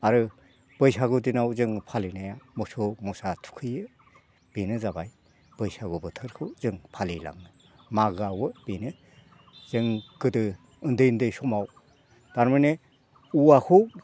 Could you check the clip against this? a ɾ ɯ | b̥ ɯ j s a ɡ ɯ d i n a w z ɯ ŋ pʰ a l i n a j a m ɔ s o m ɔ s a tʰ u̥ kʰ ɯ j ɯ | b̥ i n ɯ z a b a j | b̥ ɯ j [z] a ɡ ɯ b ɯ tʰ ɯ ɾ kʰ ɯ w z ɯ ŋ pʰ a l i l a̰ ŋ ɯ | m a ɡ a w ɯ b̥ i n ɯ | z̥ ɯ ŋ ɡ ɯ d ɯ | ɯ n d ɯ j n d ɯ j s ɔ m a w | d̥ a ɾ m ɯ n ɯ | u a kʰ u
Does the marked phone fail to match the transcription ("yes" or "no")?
yes